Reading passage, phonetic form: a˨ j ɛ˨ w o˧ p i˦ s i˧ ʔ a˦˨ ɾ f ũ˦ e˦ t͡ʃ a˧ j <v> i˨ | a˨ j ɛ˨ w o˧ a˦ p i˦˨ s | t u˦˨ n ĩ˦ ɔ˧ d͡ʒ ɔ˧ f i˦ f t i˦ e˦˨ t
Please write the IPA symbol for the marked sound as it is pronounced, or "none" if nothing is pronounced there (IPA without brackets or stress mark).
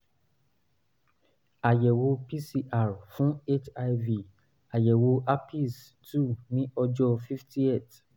v